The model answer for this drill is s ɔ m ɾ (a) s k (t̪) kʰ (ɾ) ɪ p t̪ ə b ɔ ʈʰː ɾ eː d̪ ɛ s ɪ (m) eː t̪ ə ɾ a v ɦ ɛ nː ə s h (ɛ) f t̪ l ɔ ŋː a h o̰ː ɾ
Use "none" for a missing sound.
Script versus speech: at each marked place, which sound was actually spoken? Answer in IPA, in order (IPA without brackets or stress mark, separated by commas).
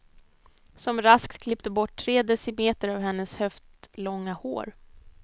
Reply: a, t̪, l, m, œ